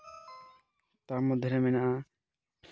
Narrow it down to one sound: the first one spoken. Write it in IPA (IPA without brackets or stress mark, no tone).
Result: t̪